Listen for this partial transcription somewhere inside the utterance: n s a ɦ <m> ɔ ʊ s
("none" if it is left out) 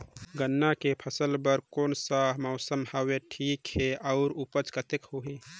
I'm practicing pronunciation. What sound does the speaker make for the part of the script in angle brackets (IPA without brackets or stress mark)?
m